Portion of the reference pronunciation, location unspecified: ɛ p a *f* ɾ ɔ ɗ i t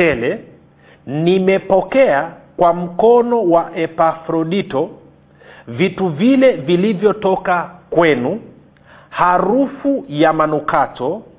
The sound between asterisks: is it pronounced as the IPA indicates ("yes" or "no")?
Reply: yes